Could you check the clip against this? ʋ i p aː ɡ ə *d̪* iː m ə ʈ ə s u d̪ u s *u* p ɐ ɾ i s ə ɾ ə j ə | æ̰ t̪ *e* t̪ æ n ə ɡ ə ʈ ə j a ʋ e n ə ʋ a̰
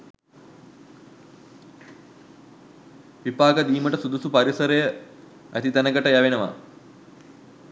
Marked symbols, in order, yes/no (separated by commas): yes, yes, no